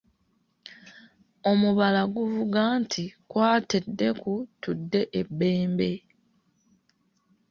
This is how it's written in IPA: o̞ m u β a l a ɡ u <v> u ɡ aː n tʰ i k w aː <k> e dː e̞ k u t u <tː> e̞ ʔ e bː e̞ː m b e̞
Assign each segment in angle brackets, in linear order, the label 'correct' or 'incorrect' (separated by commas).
correct, incorrect, incorrect